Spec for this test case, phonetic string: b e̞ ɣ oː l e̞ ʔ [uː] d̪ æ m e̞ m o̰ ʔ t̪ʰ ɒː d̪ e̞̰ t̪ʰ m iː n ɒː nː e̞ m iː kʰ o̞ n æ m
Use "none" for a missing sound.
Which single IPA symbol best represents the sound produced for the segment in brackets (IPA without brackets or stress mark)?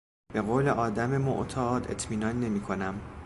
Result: ɒː